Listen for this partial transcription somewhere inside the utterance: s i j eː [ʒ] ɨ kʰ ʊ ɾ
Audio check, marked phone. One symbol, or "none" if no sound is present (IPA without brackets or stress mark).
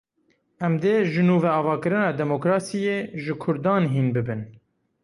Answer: ʒ